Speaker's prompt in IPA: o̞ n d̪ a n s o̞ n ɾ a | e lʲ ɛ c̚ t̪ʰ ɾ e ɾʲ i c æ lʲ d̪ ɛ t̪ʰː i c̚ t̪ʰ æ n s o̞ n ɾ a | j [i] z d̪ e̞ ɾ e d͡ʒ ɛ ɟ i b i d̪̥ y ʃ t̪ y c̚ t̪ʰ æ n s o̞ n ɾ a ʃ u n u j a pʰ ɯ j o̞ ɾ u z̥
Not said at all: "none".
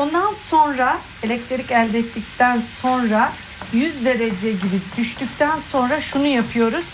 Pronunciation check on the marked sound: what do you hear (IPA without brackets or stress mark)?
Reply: y